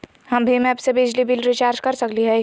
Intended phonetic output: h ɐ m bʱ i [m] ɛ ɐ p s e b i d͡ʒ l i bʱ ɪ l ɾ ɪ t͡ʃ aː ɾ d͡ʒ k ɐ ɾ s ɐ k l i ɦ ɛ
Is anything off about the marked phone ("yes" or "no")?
no